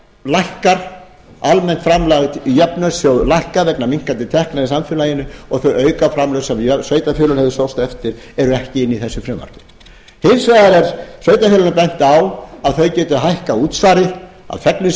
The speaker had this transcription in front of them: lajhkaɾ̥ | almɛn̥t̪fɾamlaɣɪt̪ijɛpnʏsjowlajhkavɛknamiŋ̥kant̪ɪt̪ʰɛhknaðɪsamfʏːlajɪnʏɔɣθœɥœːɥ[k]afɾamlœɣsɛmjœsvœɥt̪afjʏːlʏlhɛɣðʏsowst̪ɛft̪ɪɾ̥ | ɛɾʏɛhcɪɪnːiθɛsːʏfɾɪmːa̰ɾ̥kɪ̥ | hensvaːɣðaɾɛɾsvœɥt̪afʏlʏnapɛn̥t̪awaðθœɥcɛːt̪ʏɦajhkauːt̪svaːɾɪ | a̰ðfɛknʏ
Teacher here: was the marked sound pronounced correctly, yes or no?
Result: yes